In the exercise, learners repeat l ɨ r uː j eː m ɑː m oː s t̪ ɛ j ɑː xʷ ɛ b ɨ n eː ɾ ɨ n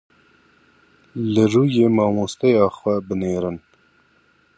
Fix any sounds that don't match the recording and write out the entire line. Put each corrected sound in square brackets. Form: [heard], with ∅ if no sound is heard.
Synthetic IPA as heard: l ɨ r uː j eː m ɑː m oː s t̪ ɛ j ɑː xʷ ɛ b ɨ n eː ɾ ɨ n